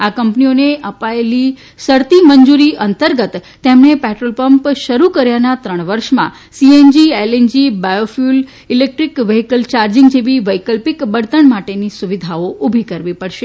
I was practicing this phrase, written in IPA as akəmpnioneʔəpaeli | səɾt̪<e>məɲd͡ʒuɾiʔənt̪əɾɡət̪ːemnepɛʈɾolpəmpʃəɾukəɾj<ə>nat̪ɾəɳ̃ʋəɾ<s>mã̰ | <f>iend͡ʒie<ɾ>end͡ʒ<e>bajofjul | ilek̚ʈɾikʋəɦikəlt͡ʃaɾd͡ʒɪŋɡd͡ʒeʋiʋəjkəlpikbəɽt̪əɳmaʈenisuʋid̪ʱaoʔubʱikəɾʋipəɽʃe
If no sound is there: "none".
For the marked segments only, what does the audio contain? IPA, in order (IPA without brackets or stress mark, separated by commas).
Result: i, a, ʃ, s, l, i